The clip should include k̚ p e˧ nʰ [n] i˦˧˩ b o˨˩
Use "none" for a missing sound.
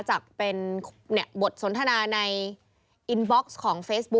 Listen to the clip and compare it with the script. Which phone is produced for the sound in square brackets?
n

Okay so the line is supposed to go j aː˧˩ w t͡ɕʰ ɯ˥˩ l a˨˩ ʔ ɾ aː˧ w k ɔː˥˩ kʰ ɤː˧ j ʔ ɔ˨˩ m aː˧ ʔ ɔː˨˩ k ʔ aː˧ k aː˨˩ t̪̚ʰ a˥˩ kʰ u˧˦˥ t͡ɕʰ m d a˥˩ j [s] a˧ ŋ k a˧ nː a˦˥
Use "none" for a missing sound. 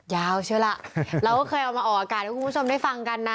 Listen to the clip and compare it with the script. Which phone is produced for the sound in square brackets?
f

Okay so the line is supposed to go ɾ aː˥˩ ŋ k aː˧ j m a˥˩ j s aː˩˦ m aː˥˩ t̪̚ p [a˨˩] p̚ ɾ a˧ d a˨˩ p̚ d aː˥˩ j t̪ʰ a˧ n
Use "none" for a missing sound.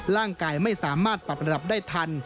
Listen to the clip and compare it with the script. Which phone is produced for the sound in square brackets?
a˨˩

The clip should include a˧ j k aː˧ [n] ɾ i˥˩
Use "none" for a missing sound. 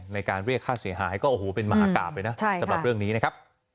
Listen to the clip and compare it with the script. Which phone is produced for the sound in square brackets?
n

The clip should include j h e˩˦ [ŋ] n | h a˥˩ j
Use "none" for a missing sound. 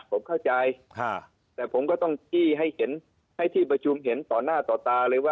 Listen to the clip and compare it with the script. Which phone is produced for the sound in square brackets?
none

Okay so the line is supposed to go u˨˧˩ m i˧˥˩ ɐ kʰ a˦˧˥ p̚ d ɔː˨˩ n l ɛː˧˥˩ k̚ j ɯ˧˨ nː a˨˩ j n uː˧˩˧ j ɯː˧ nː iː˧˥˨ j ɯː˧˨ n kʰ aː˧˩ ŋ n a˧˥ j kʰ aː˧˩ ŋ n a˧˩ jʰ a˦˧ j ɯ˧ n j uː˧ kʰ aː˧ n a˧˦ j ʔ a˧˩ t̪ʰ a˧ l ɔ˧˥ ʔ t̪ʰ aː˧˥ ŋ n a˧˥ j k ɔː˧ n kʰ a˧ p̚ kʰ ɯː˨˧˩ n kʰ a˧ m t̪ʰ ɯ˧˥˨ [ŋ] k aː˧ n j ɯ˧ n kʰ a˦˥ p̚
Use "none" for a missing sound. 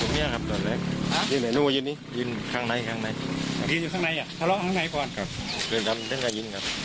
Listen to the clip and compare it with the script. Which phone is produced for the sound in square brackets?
ŋ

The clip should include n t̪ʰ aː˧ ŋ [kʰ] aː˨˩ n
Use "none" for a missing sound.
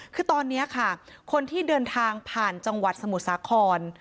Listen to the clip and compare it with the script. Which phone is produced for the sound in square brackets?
pʰ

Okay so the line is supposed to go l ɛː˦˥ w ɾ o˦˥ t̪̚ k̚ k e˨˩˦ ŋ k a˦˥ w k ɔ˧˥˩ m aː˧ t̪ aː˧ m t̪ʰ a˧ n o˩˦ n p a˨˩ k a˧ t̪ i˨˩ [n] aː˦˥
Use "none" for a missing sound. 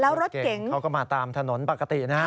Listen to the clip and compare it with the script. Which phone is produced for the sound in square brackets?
n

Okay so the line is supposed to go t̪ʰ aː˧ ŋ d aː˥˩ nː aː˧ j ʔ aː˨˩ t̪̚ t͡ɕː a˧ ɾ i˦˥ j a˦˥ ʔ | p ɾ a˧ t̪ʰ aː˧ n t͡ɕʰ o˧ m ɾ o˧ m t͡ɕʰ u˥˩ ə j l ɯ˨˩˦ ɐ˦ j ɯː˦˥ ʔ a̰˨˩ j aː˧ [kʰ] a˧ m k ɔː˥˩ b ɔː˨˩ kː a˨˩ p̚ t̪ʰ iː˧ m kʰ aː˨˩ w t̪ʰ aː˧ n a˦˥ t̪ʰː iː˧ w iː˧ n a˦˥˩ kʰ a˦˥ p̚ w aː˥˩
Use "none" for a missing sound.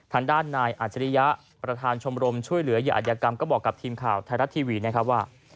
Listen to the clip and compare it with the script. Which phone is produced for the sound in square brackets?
k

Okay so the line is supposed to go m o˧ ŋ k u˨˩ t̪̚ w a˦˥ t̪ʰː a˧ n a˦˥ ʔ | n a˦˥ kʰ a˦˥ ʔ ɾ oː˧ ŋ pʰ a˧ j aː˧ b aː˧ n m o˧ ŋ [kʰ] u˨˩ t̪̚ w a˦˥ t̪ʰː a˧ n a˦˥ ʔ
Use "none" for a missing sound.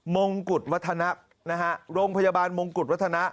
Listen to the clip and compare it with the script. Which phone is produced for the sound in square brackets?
k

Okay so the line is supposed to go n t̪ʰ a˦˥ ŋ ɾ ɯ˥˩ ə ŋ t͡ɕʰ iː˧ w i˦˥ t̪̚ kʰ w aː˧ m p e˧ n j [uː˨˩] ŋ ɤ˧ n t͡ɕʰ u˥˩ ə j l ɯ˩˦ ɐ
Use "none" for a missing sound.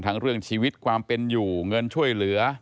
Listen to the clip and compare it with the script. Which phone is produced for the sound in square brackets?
uː˨˩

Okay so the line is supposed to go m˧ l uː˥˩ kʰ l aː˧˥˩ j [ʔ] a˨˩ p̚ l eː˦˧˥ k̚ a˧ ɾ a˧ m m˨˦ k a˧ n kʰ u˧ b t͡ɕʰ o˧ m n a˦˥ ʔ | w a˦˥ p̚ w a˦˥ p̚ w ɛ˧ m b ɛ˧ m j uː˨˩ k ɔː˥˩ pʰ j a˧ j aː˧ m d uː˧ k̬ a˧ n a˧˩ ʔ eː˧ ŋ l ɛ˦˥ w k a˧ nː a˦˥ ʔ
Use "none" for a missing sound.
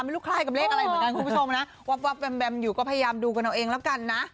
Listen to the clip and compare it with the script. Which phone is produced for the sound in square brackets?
k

